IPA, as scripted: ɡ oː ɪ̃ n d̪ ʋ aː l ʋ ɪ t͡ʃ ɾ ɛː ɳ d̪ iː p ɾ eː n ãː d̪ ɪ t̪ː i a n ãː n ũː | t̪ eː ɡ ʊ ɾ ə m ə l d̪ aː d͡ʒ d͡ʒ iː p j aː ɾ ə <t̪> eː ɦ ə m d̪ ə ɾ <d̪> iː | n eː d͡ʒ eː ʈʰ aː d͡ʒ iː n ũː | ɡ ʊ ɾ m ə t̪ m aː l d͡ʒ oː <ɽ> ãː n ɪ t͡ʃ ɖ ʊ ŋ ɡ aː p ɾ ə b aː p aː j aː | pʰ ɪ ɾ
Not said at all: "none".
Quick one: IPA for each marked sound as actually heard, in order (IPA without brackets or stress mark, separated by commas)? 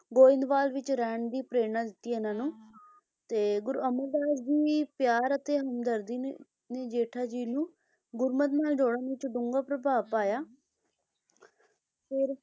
t̪, d̪, ɽ